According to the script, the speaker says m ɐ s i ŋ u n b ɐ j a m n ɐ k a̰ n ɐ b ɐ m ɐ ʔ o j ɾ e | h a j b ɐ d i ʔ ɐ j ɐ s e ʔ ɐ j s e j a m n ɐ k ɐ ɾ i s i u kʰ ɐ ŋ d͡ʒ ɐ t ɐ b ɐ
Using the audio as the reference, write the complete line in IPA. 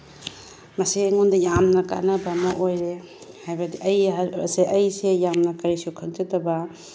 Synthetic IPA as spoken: m ɐ s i ŋ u n d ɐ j a m n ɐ k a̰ n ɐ b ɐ m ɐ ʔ o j ɾ e | h a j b ɐ d i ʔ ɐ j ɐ s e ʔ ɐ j s e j a m n ɐ k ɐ ɾ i s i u kʰ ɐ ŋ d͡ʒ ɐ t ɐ b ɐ